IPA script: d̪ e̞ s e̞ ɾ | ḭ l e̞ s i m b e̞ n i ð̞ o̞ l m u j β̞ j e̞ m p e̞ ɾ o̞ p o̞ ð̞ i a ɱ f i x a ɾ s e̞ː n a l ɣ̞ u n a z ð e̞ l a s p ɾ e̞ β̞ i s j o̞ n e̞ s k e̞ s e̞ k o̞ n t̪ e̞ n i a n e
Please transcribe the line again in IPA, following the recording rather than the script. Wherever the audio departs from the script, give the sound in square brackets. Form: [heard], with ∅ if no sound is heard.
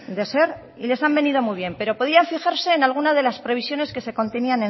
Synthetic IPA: d̪ e̞ s e̞ ɾ | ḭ l e̞ s [a] m b e̞ n i ð̞ o̞ [∅] m u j β̞ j e̞ m p e̞ ɾ o̞ p o̞ ð̞ i a ɱ f i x a ɾ s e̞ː n a l ɣ̞ u n a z ð e̞ l a s p ɾ e̞ β̞ i s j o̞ n e̞ s k e̞ s e̞ k o̞ n t̪ e̞ n i a n e